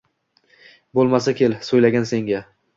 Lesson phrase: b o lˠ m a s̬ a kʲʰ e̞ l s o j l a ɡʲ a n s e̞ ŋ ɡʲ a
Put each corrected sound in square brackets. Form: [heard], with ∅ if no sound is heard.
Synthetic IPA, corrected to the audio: b o lˠ m a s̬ a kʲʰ e̞ l s o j l a ɡʲ a n s e̞ ŋ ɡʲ a